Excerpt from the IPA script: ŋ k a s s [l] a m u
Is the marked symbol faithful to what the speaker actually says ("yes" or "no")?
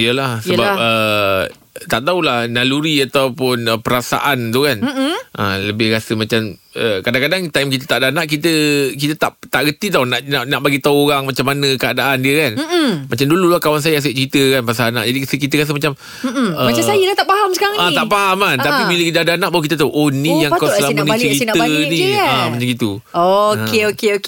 yes